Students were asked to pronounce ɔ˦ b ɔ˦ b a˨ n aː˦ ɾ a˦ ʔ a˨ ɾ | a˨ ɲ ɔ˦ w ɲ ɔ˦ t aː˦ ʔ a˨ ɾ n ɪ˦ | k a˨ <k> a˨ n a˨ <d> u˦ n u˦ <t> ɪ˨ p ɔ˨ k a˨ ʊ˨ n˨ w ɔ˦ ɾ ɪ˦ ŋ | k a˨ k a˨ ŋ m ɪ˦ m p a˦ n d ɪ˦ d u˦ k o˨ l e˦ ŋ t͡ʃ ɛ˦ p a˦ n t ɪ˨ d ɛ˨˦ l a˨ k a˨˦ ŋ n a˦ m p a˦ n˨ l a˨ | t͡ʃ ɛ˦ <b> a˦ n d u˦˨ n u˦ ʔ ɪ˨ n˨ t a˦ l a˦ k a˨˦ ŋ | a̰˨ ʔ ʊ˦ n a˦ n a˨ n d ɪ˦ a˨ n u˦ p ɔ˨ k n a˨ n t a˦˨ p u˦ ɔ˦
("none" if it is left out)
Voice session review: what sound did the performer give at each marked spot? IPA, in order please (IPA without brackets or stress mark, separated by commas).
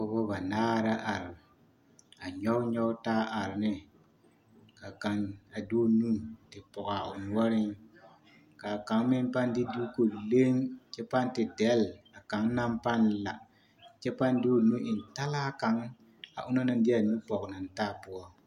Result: k, d, t, p